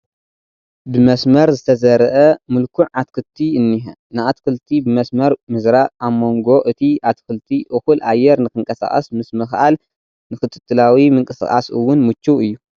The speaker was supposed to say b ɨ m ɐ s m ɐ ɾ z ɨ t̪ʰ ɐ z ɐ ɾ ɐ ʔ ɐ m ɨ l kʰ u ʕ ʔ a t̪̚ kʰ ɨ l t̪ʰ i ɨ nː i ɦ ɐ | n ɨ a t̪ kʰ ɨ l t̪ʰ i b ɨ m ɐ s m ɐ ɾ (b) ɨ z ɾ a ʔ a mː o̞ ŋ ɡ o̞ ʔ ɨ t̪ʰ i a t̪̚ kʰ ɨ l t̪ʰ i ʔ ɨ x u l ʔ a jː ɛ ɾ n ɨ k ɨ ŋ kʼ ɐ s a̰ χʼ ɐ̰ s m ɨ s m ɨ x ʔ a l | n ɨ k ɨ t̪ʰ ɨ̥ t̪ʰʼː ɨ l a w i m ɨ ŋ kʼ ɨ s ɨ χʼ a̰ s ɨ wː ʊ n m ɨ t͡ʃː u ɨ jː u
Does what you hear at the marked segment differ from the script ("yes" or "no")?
yes